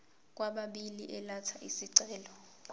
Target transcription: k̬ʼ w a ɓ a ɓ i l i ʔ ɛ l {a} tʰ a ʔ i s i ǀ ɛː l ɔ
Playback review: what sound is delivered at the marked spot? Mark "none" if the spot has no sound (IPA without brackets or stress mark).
a